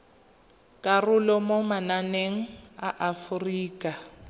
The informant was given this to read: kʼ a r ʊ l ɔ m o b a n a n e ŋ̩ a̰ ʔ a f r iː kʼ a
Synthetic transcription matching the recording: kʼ a r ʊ l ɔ m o m a n a n e ŋ̩ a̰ ʔ a f r iː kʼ a